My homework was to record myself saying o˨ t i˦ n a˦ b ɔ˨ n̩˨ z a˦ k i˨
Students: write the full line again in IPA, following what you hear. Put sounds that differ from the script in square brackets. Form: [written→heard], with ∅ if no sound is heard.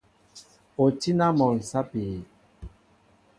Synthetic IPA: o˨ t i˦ n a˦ [b→m] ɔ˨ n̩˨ [z→s] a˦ [k→p] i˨